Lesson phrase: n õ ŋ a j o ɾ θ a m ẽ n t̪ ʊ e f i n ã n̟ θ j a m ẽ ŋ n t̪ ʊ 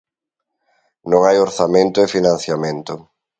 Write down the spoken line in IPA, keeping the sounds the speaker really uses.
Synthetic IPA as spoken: n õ ŋ a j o ɾ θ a m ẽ n t̪ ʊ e f i n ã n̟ θ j a m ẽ n t̪ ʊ